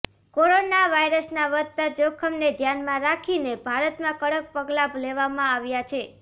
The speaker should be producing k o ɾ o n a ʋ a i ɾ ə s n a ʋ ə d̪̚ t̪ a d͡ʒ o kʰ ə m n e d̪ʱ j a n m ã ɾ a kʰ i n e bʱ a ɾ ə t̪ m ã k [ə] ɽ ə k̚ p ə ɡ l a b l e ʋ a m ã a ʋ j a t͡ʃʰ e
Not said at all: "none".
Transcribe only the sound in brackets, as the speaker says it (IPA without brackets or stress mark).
ə